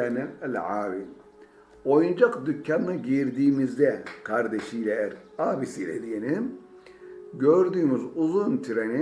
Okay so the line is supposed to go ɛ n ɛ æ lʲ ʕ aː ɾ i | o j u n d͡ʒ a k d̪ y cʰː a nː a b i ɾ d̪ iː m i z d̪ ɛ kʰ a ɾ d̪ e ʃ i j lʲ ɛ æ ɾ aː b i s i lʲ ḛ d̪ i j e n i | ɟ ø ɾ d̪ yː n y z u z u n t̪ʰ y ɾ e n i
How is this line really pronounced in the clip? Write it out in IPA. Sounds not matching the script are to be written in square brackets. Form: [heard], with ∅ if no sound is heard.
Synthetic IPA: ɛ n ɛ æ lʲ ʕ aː ɾ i | o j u n d͡ʒ a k d̪ y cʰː a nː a [ɟ] i ɾ d̪ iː m i z d̪ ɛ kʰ a ɾ d̪ e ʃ i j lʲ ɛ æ ɾ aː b i s i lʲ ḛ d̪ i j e n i | ɟ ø ɾ d̪ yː [m] y z u z u n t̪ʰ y ɾ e n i